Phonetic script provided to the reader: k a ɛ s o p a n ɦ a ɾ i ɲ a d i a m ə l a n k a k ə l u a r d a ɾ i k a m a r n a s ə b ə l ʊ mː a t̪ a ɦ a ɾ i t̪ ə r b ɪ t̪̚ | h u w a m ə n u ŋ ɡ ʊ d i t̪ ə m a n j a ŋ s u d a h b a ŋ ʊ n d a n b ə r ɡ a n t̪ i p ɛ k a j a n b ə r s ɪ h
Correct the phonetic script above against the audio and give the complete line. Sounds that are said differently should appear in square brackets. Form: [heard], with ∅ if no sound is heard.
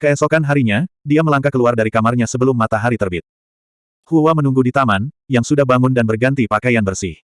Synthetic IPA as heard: k [ə] ɛ s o [k] a n ɦ a ɾ i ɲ a d i a m ə l a [ŋ] k a k ə l u a r d a ɾ i k a m a r [ɲ] a s ə b ə l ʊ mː a t̪ a ɦ a ɾ i t̪ ə r b ɪ t̪̚ | h u w a m ə n u ŋ ɡ [u] d i t̪ [a] m a n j a ŋ s u d a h b a ŋ ʊ n d a n b ə r ɡ a n t̪ i p [a] k a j a n b ə r s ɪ h

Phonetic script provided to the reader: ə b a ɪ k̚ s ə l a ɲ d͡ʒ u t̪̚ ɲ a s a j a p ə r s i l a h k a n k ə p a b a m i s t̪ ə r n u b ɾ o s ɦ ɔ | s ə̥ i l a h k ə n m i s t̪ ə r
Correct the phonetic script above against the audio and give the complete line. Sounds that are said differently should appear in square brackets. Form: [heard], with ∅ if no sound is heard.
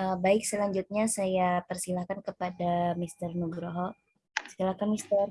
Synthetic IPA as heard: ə b a ɪ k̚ s ə l a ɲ d͡ʒ u t̪̚ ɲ a s a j a p ə r s i l a h k a n k ə p a [d] a m i s t̪ ə r n u [ɡ] ɾ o [∅] ɦ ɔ | s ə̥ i l a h k [a] n m i s t̪ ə r

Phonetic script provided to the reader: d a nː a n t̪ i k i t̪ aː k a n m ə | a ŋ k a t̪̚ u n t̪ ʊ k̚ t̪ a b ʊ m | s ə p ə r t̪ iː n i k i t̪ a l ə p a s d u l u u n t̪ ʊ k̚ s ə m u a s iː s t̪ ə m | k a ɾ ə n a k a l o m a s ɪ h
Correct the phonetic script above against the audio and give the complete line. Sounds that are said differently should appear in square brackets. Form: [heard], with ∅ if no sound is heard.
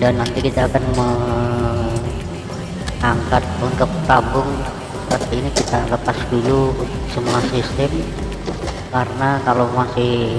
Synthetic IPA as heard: d a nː a n t̪ i k i t̪ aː k a n m ə | a ŋ k a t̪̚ u n t̪ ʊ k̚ t̪ a b ʊ [ŋ] | s ə p ə r t̪ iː n i k i t̪ a l ə p a s d u l u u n t̪ ʊ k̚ s ə m u a s [i] s t̪ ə m | k a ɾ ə n a k a l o m a s ɪ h

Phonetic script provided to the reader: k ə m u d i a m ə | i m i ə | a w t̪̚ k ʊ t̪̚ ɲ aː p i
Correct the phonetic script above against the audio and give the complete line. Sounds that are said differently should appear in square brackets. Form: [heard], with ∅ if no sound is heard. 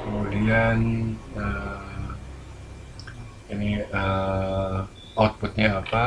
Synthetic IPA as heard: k ə m u d i a [n] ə | i [n] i ə | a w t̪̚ [p] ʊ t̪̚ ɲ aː p [a]

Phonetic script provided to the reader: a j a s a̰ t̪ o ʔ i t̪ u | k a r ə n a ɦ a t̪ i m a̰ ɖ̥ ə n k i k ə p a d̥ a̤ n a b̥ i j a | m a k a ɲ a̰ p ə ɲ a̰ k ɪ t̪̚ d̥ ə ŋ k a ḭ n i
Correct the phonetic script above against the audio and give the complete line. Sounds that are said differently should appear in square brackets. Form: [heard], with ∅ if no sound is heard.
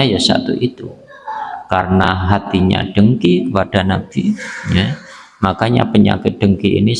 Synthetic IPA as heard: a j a s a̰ t̪ [u] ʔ i t̪ u | k a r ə n a ɦ a t̪ i [ɲ] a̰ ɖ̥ ə [ŋ] k i k ə p a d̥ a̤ n a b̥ i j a | m a k a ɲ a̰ p ə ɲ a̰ k ɪ t̪̚ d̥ ə ŋ k [i] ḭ n i

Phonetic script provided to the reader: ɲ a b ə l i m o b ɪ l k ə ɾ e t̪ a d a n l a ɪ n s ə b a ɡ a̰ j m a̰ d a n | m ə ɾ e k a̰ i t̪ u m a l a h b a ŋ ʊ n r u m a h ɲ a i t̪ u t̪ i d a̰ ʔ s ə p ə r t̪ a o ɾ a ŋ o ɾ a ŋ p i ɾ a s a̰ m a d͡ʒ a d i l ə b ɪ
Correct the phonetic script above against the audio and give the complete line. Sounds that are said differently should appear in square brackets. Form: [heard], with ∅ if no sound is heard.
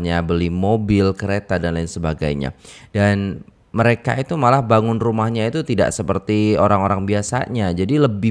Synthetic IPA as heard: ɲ a b ə l i m o b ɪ l k ə ɾ e t̪ a d a n l a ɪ n s ə b a ɡ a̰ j [ɲ] a̰ d a n | m ə ɾ e k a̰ i t̪ u m a l a h b a ŋ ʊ n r u m a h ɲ a i t̪ u t̪ i d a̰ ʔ s ə p ə r t̪ [i] o ɾ a ŋ o ɾ a ŋ [b] i [∅] a s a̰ [ɲ] a d͡ʒ a d i l ə b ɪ

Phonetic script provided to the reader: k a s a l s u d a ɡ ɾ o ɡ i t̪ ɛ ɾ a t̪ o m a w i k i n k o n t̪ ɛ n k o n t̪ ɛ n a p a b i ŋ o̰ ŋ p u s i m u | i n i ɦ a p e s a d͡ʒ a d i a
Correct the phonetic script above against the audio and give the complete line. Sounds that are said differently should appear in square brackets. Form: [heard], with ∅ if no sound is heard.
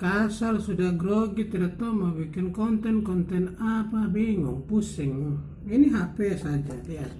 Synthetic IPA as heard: k a s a l s u d a ɡ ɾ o ɡ i t̪ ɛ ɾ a t̪ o m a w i k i n k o n t̪ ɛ n k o n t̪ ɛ n a p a b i ŋ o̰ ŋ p u s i [ŋ] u | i n i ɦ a p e s a d͡ʒ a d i a

